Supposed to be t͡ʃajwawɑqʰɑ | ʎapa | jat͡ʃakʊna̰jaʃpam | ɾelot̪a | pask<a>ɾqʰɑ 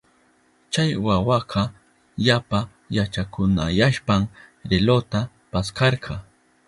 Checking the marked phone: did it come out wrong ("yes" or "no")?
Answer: yes